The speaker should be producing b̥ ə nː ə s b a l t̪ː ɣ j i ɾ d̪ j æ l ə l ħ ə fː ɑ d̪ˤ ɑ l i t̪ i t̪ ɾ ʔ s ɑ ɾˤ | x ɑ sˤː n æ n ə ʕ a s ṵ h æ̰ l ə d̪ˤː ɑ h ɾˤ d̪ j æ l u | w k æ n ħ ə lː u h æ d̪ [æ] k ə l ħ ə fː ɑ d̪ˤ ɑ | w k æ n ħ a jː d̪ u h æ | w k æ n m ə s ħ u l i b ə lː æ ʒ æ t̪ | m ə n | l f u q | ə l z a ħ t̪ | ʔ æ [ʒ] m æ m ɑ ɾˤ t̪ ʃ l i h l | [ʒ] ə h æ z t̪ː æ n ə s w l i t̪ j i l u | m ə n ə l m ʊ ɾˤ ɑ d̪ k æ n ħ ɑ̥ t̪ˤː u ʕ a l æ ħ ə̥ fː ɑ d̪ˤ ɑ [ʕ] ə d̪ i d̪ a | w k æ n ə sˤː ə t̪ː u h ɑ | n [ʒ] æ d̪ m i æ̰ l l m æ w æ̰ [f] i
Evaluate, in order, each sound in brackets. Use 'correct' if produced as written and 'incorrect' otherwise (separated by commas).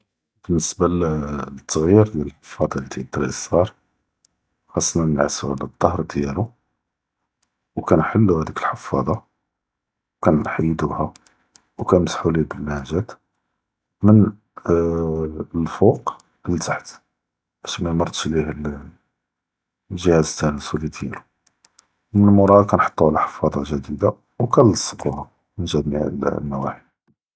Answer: incorrect, incorrect, correct, incorrect, correct, incorrect